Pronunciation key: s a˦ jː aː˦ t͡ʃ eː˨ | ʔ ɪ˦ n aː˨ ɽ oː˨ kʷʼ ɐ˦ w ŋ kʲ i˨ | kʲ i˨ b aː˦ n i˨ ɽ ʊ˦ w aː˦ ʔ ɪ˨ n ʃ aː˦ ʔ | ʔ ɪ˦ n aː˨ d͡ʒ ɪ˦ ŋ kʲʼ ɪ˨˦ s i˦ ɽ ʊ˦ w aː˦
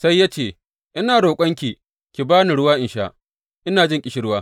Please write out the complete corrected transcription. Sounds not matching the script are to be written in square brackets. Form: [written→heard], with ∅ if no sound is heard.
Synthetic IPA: s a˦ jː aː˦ t͡ʃ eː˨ | ʔ ɪ˦ n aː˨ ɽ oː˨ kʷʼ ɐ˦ [w→∅] ŋ kʲ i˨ | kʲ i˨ b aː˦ n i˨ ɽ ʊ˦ w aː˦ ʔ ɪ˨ n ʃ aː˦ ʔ | ʔ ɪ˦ n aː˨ d͡ʒ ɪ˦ ŋ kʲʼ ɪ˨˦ [s→ʃ] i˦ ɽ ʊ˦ w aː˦